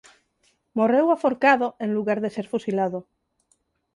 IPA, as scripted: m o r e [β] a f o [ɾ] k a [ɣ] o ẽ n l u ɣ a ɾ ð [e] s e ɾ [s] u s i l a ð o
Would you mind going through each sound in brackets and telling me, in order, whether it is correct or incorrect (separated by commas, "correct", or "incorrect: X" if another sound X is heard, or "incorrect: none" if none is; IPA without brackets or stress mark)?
incorrect: w, correct, incorrect: ð, correct, incorrect: f